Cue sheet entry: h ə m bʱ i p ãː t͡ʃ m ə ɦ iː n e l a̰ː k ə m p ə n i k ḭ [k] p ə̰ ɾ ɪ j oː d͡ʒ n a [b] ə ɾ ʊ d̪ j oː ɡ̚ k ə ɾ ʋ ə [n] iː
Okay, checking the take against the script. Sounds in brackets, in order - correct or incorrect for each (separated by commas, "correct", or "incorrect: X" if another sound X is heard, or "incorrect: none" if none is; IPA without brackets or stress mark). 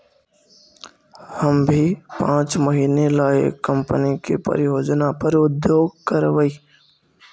incorrect: none, incorrect: p, incorrect: none